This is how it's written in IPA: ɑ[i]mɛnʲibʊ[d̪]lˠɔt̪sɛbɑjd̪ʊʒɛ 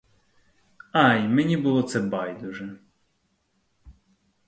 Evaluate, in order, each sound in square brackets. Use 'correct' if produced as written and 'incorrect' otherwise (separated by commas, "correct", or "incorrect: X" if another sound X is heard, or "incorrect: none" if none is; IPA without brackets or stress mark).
incorrect: j, incorrect: none